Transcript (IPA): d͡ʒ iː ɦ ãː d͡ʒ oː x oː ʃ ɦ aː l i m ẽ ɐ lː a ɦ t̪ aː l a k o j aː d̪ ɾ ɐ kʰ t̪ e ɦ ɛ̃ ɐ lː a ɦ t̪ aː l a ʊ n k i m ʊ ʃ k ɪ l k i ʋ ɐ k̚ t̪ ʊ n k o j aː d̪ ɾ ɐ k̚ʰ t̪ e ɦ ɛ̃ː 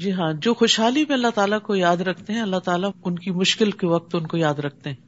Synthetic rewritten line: d͡ʒ iː ɦ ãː d͡ʒ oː x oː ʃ ɦ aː l i m ẽ ɐ lː a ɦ t̪ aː l a k o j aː d̪ ɾ ɐ kʰ t̪ e ɦ ɛ̃ ɐ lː a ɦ t̪ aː l a ʊ n k i m ʊ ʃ k ɪ l k e ʋ ɐ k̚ t̪ ʊ n k o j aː d̪ ɾ ɐ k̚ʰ t̪ e ɦ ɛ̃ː